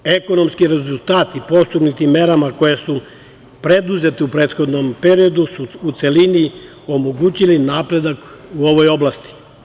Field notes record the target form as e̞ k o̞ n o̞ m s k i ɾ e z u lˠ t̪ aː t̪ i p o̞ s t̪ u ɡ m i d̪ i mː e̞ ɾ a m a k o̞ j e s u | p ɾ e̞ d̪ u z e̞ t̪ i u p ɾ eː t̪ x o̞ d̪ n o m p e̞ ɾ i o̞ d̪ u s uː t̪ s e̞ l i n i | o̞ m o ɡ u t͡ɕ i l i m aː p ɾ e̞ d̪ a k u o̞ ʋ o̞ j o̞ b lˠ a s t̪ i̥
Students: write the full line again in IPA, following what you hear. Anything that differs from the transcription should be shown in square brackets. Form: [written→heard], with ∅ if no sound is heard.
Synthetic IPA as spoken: e̞ k o̞ n o̞ m s k i ɾ e z u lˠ t̪ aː t̪ i p o̞ s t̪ u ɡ [m→n] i [d̪→t̪] i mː e̞ ɾ a m a k o̞ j e s u | p ɾ e̞ d̪ u z e̞ t̪ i u p ɾ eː t̪ x o̞ d̪ n o m p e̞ ɾ i o̞ d̪ u s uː t̪ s e̞ l i n i | o̞ m o ɡ u t͡ɕ i l i [m→n] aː p ɾ e̞ d̪ a k u o̞ ʋ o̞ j o̞ b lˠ a s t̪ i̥